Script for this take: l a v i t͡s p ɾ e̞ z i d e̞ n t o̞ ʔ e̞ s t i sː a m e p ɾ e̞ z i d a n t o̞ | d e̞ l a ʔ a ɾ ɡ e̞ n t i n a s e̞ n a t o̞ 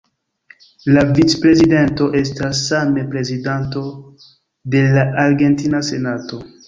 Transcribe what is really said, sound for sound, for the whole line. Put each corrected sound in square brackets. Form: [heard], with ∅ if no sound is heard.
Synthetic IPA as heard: l a v i t͡s p ɾ e̞ z i d e̞ n t o̞ ʔ e̞ s t [a] sː a m e p ɾ e̞ z i d a n t o̞ | d e̞ l a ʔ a ɾ ɡ e̞ n t i n a s e̞ n a t o̞